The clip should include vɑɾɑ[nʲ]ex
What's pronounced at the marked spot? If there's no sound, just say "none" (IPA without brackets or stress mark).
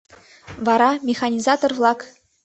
mʲ